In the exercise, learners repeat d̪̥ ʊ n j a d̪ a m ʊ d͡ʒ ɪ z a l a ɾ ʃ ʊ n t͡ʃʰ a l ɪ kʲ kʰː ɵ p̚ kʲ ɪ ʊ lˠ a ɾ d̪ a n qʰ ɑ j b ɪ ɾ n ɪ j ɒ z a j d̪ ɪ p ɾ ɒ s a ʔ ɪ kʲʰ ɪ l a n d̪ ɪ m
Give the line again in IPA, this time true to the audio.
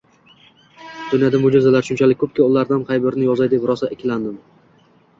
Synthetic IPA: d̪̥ ʊ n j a d̪ a m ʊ d͡ʒ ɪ z a l a ɾ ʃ ʊ n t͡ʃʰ a l ɪ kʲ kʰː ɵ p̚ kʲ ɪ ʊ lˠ a ɾ d̪ a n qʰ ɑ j b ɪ ɾ n ɪ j ɒ z a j d̪ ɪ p ɾ ɒ s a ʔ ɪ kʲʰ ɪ l a n d̪ ɪ m